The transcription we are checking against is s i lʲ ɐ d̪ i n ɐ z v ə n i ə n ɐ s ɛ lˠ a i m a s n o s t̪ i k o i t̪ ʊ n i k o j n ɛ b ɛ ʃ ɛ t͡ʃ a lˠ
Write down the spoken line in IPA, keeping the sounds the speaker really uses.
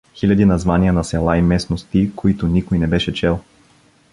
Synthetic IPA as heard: x i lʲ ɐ d̪ i n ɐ z v a n i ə n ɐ s ɛ lˠ a i m ɛ s n o s t̪ i k o i t̪ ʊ n i k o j n ɛ b ɛ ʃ ɛ t͡ʃ ɛ lˠ

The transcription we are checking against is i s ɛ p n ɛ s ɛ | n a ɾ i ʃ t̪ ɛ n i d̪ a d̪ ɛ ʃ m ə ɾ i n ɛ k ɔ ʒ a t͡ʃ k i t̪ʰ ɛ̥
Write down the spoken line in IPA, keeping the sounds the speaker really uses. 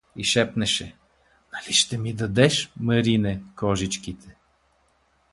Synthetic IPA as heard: i ʃ ɛ p n ɛ ʃ ɛ | n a l i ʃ t̪ ɛ m i d̪ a d̪ ɛ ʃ m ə ɾ i n ɛ k ɔ ʒ i t͡ʃ k i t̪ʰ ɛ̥

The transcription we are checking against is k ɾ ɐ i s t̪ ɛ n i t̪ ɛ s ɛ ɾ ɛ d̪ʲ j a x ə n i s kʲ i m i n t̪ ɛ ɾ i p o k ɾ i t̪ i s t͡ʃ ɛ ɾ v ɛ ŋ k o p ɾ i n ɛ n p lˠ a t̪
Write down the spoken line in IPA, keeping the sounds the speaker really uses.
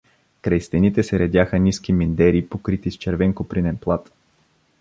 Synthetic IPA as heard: k ɾ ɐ j s t̪ ɛ n i t̪ ɛ s ɛ ɾ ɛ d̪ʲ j a x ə n i s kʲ i m i n d̪ ɛ ɾ i p o k ɾ i t̪ i s t͡ʃ ɛ ɾ v ɛ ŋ k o p ɾ i n ɛ n p lˠ a t̪

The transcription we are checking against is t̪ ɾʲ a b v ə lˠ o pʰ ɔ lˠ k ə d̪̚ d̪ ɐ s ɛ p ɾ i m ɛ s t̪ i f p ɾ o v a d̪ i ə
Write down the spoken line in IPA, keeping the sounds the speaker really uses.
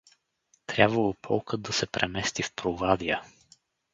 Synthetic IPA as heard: t̪ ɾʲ a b v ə lˠ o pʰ ɔ lˠ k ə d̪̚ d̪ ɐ s ɛ p ɾ ɛ m ɛ s t̪ i f p ɾ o v a d̪ i ə

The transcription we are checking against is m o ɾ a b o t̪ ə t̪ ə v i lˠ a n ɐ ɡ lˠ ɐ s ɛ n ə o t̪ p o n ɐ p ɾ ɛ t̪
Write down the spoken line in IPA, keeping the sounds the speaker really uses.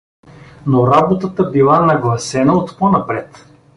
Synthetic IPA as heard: n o ɾ a b o t̪ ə t̪ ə b i lˠ a n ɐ ɡ lˠ ɐ s ɛ n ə o t̪ p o n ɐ p ɾ ɛ t̪

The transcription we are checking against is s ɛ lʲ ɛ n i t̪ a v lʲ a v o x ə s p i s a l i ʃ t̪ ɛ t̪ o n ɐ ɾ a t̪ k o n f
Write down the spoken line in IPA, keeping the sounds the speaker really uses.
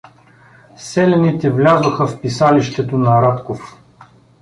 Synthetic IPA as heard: s ɛ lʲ ɛ n i t̪ ɛ v lʲ a z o x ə f p i s a l i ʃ t̪ ɛ t̪ o n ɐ ɾ a t̪ k o f

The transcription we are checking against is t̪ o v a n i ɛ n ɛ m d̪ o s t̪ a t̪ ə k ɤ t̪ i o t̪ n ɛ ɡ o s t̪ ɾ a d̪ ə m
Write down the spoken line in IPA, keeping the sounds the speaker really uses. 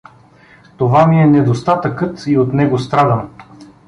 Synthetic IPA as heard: t̪ o v a m i ɛ n ɛ d̪ o s t̪ a t̪ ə k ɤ t̪ i o t̪ n ɛ ɡ o s t̪ ɾ a d̪ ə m

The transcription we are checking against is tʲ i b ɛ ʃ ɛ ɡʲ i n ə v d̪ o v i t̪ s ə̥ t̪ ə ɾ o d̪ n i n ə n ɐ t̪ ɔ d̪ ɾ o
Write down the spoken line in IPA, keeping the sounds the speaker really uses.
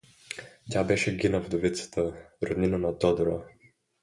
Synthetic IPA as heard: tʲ a b ɛ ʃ ɛ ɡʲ i n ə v d̪ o v i t̪ s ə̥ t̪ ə ɾ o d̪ n i n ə n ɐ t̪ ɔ d̪ ɾ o

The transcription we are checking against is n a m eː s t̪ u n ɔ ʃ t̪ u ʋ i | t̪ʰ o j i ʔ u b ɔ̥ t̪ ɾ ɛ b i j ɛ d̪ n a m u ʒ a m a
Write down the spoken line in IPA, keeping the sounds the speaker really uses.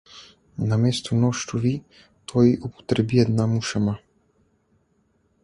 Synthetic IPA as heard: n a m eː s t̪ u n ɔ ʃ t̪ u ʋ i | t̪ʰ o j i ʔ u p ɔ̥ t̪ ɾ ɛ b i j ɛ d̪ n a m u ʃ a m a

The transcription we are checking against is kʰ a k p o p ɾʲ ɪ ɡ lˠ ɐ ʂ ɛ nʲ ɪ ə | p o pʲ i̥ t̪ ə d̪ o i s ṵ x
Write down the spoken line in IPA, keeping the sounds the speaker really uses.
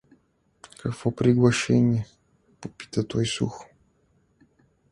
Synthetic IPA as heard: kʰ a k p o p ɾʲ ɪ ɡ lˠ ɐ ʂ ɛ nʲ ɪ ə | p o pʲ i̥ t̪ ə t̪ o j s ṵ x

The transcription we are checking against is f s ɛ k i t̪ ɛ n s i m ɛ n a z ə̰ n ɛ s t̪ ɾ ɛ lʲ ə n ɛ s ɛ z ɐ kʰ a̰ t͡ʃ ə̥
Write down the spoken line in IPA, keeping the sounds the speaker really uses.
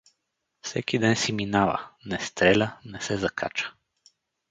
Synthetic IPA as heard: f s ɛ k i d̪ ɛ n s i m i n a v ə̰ n ɛ s t̪ ɾ ɛ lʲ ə n ɛ s ɛ z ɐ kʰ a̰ t͡ʃ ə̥

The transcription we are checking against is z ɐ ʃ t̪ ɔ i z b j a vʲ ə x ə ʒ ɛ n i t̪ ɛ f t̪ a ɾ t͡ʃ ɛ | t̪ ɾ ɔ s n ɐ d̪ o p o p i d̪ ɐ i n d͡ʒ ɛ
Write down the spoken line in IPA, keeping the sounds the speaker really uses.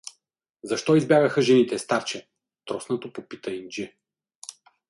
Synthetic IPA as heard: z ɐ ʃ t̪ ɔ i z b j a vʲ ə x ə ʒ ɛ n i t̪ ɛ s t̪ a ɾ t͡ʃ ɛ | t̪ ɾ ɔ s n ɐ t̪ o p o p i t̪ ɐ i n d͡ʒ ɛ

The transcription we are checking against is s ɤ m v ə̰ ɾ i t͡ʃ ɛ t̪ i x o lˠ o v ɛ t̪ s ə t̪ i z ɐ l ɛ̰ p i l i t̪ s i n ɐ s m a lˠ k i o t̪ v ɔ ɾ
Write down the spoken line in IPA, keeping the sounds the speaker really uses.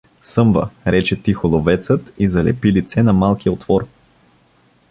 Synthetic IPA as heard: s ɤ m v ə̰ ɾ ɛ t͡ʃ ɛ t̪ i x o lˠ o v ɛ t̪ s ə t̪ i z ɐ l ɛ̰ p i l i t̪ s ɛ n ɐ m a lˠ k i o t̪ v ɔ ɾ

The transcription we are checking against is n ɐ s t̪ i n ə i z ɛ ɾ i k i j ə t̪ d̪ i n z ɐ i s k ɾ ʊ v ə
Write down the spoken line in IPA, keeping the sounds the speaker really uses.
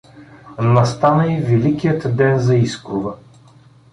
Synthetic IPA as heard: n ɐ s t̪ a n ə i v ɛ l i k i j ə t̪ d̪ ɛ n z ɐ i s k ɾ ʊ v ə

